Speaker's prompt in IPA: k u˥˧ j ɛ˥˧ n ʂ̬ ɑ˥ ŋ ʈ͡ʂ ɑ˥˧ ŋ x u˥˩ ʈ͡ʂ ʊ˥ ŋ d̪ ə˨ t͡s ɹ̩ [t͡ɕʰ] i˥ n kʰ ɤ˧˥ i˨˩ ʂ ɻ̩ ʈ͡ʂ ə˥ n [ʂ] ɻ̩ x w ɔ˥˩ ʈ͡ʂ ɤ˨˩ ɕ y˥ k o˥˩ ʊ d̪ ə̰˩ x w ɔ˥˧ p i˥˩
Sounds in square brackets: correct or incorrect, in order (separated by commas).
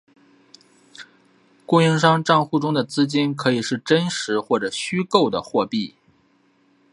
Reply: incorrect, correct